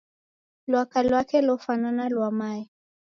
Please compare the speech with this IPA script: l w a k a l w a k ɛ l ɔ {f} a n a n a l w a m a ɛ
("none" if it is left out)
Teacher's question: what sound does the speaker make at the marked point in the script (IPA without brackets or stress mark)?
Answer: f